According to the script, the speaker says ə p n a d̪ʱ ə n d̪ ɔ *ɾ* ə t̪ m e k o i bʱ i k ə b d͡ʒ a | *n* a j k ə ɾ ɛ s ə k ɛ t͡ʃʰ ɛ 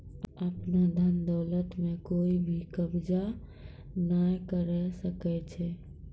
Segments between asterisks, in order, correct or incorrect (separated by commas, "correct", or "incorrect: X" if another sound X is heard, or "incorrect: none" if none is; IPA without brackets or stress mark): incorrect: l, correct